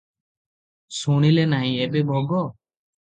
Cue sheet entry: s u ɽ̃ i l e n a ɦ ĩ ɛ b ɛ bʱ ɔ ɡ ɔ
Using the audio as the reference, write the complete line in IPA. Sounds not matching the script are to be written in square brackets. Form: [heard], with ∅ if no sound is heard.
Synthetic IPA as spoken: s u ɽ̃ i l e n a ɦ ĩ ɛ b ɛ bʱ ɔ ɡ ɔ

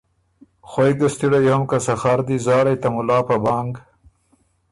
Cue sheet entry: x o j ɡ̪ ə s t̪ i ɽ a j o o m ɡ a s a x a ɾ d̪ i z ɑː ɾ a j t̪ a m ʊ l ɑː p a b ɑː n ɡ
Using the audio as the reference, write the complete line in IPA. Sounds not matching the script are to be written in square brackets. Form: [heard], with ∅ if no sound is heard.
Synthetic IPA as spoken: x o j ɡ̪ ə s t̪ i ɽ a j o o m [k] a s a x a ɾ d̪ i z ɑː ɾ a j t̪ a m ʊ l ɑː p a b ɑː [ŋ] ɡ

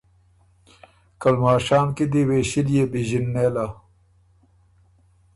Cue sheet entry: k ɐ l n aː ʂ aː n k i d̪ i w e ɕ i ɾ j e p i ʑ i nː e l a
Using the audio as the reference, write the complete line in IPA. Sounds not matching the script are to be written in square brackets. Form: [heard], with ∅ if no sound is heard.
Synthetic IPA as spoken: k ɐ l [m] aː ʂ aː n k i d̪ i w e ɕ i [l] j e [b] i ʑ i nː e l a

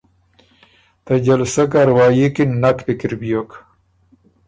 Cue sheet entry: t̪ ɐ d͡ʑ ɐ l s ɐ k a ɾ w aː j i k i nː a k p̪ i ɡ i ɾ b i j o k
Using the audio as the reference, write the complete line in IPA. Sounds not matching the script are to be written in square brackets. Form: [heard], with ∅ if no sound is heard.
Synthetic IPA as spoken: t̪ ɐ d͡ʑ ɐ l s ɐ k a ɾ w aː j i k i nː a k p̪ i [k] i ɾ b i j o k

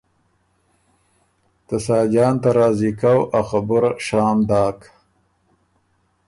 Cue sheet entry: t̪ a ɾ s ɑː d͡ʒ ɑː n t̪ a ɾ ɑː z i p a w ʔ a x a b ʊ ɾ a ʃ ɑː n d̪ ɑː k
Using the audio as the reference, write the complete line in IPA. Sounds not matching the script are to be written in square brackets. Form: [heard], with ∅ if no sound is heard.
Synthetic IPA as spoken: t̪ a [∅] s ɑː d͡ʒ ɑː n t̪ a ɾ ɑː z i [k] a w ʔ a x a b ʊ ɾ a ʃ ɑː [m] d̪ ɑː k

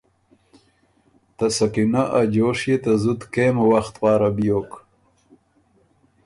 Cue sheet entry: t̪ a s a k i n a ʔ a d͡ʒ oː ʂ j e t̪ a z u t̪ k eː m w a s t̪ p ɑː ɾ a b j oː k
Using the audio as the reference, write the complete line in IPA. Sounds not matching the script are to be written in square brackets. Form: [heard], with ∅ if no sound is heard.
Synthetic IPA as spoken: t̪ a s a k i n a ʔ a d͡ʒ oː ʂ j e t̪ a z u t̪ k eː m w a [x] t̪ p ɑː ɾ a b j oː k

